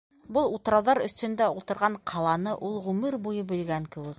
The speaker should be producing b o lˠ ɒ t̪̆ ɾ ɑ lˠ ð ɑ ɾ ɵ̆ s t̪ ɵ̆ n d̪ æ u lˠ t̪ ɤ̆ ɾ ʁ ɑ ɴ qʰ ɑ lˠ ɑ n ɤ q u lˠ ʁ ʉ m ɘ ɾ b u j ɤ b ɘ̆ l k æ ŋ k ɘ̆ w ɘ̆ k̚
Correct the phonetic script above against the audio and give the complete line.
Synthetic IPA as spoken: b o lˠ u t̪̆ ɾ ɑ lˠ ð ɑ ɾ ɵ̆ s t̪ ɵ̆ n d̪ æ u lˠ t̪ ɤ̆ ɾ ʁ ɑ ɴ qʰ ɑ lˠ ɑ n ɤ ʔ u lˠ ʁ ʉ m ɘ ɾ b u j ɤ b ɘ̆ l ɡ æ ŋ k ɘ̆ w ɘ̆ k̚